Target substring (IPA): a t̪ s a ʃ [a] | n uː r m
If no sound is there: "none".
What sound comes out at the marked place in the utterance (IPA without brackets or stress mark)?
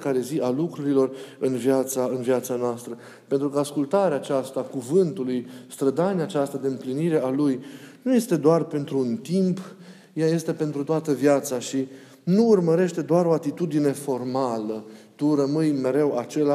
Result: i